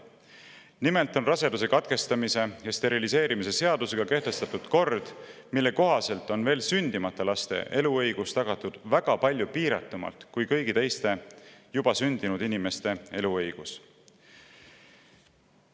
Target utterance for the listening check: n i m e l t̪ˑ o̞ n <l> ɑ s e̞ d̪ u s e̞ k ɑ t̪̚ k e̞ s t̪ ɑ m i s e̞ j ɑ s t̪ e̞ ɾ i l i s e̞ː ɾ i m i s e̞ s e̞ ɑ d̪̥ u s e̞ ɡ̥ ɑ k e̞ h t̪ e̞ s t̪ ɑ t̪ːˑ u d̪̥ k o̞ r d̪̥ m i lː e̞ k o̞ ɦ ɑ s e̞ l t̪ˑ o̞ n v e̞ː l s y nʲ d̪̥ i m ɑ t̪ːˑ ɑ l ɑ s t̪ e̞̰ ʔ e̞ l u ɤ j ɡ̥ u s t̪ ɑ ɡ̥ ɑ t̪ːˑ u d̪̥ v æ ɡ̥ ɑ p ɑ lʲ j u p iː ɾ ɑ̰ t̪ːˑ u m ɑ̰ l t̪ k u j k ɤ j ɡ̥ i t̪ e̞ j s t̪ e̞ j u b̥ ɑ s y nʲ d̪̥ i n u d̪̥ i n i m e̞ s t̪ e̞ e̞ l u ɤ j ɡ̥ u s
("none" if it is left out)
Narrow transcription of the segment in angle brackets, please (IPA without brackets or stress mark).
r